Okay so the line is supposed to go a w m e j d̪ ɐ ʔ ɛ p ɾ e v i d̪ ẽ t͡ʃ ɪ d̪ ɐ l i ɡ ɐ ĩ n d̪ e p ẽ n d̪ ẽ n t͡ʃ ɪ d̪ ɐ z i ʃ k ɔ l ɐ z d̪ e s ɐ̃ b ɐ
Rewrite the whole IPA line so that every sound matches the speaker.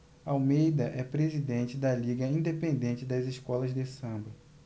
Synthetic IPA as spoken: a w m e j d̪ ɐ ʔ ɛ p ɾ e z i d̪ ẽ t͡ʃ ɪ d̪ ɐ l i ɡ ɐ ĩ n d̪ e p ẽ n d̪ ẽ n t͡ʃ ɪ d̪ ɐ z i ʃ k ɔ l ɐ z d̪ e s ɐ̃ b ɐ